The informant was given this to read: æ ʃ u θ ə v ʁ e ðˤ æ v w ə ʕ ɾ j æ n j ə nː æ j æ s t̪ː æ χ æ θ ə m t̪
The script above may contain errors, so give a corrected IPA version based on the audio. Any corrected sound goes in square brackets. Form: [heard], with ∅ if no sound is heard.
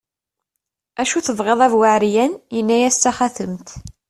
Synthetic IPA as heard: æ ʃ u θ ə v ʁ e ðˤ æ v w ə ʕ ɾ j æ n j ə nː æ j æ s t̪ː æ χ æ θ ə m t̪